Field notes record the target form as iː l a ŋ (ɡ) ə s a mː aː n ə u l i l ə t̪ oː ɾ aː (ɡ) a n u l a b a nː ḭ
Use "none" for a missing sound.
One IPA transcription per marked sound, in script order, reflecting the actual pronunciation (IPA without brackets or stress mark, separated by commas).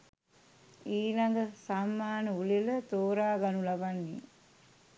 ɡ, ɡ